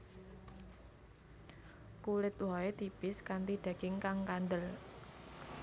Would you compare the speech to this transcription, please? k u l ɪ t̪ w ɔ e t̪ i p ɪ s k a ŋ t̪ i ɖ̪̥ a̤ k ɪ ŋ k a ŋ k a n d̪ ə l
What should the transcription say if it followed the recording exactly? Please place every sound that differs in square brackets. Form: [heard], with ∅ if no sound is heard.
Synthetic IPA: k u l ɪ t̪ w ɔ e t̪ i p ɪ s k a [n] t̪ i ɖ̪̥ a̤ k ɪ ŋ k a ŋ k a n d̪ ə l